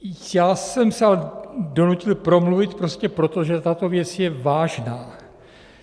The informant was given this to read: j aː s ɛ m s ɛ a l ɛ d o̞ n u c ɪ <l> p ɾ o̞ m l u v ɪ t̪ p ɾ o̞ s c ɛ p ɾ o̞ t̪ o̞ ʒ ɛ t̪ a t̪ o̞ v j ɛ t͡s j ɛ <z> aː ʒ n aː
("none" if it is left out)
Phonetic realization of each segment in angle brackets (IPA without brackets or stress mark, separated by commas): l, v